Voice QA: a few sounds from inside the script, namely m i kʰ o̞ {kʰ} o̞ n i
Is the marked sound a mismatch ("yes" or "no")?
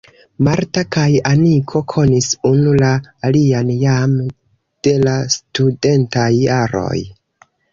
no